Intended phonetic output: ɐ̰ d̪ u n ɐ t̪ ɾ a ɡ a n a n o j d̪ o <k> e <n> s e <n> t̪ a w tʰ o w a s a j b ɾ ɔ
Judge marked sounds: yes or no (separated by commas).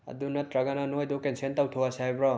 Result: yes, yes, yes